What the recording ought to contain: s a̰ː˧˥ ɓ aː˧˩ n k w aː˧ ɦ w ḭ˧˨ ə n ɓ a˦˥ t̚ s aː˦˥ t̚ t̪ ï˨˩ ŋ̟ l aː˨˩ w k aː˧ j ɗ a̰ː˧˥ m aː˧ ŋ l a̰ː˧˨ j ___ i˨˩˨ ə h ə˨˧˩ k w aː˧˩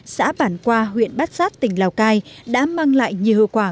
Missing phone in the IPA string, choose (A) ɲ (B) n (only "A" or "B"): A